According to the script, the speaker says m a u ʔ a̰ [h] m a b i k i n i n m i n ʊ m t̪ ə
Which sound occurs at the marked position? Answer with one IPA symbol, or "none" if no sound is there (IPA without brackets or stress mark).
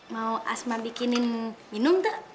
s